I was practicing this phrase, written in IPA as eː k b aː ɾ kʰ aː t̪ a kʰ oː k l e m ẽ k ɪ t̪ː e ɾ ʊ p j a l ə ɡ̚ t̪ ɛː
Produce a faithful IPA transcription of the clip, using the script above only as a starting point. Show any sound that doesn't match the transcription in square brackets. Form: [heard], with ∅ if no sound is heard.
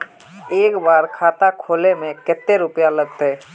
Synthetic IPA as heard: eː k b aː ɾ kʰ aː t̪ a kʰ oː [∅] l e m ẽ k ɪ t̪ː e ɾ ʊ p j a l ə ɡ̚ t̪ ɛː